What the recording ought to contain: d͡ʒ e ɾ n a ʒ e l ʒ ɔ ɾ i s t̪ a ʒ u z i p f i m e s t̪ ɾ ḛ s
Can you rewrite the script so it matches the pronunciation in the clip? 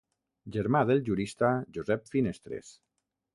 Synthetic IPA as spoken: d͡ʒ e ɾ m a ð e l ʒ u ɾ i s t̪ a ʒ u z ɛ p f i n e s t̪ ɾ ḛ s

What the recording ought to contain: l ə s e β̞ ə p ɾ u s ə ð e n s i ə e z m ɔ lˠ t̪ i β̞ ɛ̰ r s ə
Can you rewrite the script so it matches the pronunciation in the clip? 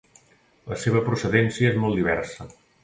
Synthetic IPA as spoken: l ə s e β̞ ə p ɾ u s ə ð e n s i ə e z m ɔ lˠ d̪ i β̞ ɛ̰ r s ə

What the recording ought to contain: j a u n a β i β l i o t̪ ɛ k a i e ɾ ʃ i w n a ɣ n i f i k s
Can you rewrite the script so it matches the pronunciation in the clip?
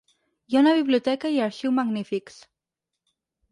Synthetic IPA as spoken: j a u n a β i β l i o t̪ ɛ k a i a ɾ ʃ i w m a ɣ n i f i k s

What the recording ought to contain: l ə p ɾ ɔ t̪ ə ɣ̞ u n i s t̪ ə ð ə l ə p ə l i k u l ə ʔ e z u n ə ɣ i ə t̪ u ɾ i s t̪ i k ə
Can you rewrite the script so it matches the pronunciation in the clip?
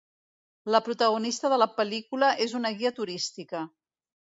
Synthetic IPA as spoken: l ə p ɾ u t̪ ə ɣ̞ u n i s t̪ ə ð ə l ə p ə l i k u l ə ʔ e z u n ə ɣ i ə t̪ u ɾ i s t̪ i k ə

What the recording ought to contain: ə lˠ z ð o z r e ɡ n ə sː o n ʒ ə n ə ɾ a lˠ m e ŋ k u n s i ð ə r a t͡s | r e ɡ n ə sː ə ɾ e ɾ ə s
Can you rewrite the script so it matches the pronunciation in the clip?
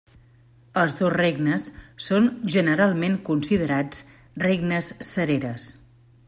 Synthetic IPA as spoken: ə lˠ z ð o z r e ɡ n ə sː o n ʒ ə n ə ɾ a lˠ m e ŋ k u n s i ð ə ɾ a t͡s | r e ɡ n ə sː ə ɾ e ɾ ə s

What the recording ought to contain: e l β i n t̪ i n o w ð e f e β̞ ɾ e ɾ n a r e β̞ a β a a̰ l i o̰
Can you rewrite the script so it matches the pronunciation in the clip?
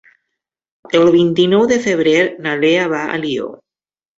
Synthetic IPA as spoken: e l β i n t̪ i n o w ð e f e β̞ ɾ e ɾ n a l e a β a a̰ l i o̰

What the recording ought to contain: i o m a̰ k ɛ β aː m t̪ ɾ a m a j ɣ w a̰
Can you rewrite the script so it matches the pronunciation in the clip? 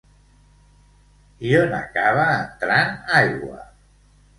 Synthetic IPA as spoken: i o n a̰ k a β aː n t̪ ɾ a n a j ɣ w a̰

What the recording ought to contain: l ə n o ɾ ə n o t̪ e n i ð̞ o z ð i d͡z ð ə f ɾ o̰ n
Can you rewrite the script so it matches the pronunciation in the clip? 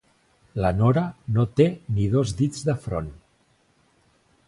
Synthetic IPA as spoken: l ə n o ɾ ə n o t̪ e n i ð̞ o z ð i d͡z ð ə f ɾ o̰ n

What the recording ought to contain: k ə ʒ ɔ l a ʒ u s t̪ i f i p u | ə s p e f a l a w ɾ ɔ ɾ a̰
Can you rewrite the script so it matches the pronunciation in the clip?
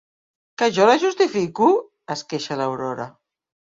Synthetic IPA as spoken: k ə ʒ ɔ l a ʒ u s t̪ i f i k u | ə s k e ʃ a l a w ɾ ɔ ɾ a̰

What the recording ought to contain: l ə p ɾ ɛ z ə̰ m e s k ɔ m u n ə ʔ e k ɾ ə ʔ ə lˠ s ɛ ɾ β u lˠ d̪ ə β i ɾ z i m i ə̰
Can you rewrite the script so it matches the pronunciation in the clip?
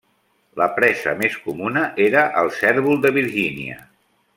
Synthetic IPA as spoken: l ə p ɾ ɛ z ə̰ m e s k u m u n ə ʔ e ɾ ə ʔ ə lˠ s ɛ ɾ β u lˠ d̪ ə β i ɾ ʒ i n i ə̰

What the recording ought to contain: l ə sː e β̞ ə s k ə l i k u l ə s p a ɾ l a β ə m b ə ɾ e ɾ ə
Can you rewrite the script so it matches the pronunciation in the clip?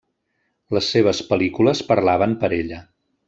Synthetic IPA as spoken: l ə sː e β̞ ə s p ə l i k u l ə s p ə ɾ l a β ə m p ə ɾ e ʎ ə

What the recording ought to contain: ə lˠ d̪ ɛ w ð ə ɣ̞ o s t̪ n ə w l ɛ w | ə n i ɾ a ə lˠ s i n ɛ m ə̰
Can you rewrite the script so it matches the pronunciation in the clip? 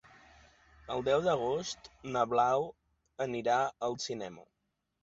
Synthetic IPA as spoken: ə lˠ d̪ ɛ w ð ə ɣ̞ o s t̪ n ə β l a w | ə n i ɾ a ə lˠ s i n ɛ m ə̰

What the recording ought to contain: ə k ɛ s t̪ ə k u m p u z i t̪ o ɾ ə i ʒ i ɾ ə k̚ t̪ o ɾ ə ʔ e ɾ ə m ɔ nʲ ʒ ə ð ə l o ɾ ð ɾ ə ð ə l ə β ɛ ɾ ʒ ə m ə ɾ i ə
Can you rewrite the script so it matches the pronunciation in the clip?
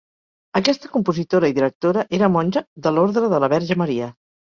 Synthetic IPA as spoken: ə k ɛ s t̪ ə k u m p u z i t̪ o ɾ ə i ð i ɾ ə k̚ t̪ o ɾ ə ʔ e ɾ ə m ɔ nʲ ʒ ə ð ə l o ɾ ð ɾ ə ð ə l ə β ɛ ɾ ʒ ə m ə ɾ i ə

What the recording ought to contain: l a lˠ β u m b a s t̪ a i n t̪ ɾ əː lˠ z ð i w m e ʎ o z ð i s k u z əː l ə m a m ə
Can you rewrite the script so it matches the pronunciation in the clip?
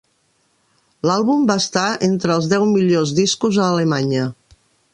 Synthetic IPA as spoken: l a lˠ β u m b a s t̪ a e n t̪ ɾ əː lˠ z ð ɛ w m i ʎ o z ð i s k u z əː l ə m a ɲ ə

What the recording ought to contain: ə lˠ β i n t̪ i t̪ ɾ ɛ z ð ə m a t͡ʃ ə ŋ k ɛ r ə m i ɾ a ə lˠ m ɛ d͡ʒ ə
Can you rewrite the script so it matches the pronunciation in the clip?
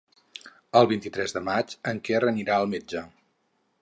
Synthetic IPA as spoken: ə lˠ β i n t̪ i t̪ ɾ ɛ z ð ə m a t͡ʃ ə ŋ k ɛ r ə n i ɾ a ə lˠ m e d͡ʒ ə

